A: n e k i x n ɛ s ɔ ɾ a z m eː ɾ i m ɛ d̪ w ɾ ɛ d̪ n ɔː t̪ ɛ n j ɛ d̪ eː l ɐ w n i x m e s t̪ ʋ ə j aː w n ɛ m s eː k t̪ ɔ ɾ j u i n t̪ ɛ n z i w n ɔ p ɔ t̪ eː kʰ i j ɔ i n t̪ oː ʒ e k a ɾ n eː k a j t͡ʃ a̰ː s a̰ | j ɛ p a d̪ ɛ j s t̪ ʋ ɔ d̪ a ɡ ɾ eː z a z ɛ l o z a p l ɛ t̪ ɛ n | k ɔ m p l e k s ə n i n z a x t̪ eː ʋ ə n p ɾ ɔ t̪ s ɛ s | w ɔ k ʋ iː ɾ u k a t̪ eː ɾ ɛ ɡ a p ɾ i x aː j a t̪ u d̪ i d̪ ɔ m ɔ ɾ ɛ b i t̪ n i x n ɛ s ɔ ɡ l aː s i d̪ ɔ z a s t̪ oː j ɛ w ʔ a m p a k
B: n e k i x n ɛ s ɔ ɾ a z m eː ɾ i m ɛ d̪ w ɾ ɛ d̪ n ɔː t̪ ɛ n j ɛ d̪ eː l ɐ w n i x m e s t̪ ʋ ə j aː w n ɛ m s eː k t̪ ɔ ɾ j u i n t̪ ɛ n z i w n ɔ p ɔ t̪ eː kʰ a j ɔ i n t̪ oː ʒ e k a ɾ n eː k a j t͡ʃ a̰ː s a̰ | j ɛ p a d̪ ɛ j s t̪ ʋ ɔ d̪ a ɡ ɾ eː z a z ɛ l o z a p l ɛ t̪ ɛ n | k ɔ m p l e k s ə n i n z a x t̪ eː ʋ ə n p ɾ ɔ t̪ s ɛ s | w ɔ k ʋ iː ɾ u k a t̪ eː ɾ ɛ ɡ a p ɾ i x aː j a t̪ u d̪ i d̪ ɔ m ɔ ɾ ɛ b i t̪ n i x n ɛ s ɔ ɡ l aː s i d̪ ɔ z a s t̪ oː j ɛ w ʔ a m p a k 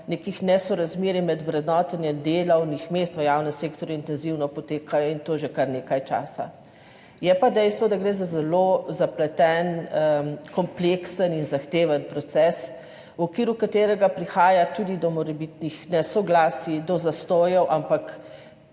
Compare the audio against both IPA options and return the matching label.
B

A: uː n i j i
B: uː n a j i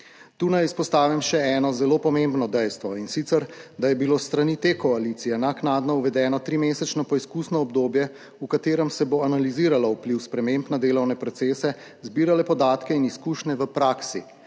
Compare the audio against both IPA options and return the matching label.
B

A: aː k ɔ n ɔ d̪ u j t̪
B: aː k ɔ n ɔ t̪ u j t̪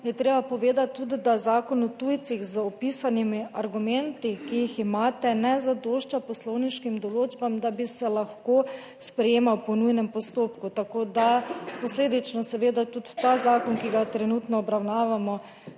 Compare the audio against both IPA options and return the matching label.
B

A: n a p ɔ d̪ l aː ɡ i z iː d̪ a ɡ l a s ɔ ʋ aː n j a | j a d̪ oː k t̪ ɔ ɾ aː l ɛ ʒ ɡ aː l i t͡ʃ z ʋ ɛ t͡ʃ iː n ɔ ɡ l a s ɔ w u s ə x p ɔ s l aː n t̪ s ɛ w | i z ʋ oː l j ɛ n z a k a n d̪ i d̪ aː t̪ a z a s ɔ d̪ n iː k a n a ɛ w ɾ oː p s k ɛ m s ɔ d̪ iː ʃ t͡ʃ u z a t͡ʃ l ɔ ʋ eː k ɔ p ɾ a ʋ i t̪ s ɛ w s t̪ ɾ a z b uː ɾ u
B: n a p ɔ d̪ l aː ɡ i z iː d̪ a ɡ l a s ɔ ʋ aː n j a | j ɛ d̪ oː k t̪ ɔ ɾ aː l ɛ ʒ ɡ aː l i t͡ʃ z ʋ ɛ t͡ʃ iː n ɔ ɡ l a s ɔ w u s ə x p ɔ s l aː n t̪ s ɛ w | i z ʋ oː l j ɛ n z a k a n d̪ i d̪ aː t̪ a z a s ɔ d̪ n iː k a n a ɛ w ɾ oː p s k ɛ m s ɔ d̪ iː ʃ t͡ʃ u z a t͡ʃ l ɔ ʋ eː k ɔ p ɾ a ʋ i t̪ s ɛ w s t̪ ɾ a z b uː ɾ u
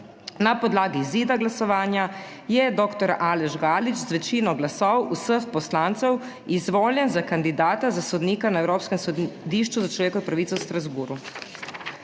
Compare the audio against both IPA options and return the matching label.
B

